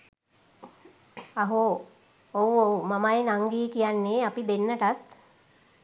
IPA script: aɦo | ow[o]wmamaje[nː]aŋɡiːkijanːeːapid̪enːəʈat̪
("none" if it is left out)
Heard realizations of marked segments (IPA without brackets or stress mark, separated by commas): o, n